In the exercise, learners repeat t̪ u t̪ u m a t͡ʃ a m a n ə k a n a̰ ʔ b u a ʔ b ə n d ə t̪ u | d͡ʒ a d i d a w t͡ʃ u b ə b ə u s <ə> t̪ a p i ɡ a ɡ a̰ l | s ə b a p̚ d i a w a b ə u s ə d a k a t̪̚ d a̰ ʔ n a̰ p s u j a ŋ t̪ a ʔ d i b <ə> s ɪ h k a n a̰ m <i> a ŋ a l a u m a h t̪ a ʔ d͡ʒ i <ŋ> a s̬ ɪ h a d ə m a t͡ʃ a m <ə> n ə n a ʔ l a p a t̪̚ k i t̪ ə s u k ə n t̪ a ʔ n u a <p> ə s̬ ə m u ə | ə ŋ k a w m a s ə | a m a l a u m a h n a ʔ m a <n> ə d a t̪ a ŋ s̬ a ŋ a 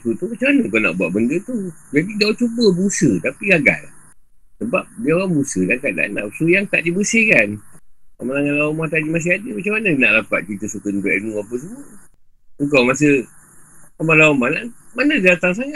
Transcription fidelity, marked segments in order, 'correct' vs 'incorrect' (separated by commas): correct, correct, incorrect, incorrect, incorrect, correct, correct